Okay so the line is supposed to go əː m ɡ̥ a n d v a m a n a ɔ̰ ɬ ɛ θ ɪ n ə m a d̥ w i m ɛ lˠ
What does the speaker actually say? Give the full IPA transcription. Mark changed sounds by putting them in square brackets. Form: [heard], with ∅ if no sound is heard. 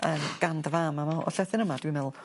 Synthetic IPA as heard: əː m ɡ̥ a n d v a m a [m] a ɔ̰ ɬ ɛ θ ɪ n ə m a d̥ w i m ɛ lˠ